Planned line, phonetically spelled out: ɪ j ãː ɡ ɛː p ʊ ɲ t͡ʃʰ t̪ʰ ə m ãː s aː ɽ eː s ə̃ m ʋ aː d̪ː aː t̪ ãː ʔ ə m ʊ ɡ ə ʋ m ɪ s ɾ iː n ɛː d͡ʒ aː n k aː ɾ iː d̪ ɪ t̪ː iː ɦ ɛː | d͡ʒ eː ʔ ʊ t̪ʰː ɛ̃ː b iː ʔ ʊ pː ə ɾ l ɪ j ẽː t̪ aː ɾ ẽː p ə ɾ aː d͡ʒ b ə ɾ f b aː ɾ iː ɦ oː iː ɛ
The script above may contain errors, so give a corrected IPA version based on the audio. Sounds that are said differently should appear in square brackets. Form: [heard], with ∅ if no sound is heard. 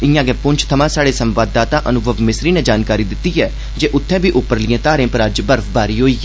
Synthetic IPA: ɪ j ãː ɡ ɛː p ʊ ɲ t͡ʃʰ t̪ʰ ə m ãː s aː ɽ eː s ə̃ m ʋ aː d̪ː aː t̪ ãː ʔ ə [n] ʊ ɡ ə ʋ m ɪ s ɾ iː n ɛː d͡ʒ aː n k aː ɾ iː d̪ ɪ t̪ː iː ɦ ɛː | d͡ʒ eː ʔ ʊ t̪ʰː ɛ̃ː b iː ʔ ʊ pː ə ɾ l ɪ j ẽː t̪ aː ɾ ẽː p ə ɾ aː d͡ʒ b ə ɾ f b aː ɾ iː ɦ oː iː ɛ